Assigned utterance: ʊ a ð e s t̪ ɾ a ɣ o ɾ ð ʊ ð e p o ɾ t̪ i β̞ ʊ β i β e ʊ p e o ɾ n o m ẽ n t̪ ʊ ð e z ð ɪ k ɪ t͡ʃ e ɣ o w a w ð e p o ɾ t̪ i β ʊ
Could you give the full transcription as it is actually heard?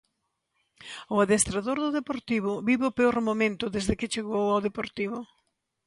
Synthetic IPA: ʊ a ð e s t̪ ɾ a ð o ɾ ð ʊ ð e p o ɾ t̪ i β̞ ʊ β i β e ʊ p e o ɾ m o m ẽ n t̪ ʊ ð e z ð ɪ k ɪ t͡ʃ e ɣ o w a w ð e p o ɾ t̪ i β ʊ